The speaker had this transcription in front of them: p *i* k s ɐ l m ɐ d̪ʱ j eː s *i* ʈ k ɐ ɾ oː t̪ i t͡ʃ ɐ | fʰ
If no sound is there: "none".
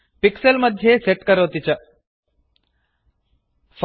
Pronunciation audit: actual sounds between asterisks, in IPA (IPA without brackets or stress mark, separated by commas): i, e